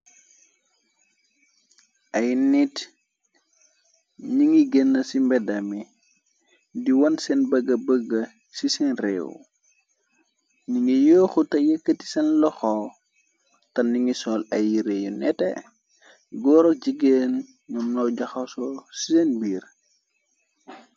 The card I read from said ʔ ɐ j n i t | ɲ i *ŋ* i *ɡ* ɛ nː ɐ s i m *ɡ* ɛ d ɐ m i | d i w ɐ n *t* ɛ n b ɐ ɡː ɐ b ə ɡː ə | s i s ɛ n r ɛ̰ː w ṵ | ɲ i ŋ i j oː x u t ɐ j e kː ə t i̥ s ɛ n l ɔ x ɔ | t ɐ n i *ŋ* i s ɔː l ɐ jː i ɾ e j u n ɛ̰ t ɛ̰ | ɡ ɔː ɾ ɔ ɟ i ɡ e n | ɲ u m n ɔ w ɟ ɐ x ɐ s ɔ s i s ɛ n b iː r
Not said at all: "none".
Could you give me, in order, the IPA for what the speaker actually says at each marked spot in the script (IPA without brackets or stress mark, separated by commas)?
ŋ, ɡ, b, s, ŋ